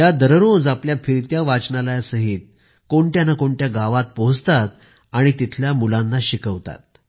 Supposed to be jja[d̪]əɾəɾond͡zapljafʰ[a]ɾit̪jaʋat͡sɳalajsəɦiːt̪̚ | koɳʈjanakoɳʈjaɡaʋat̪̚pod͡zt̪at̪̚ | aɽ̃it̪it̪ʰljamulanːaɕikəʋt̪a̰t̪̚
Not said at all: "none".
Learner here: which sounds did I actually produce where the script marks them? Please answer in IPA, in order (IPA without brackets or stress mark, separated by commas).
d̪, i